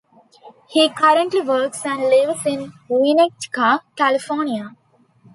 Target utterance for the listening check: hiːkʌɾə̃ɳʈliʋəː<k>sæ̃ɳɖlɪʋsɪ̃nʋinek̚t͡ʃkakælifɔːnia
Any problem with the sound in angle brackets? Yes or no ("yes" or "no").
no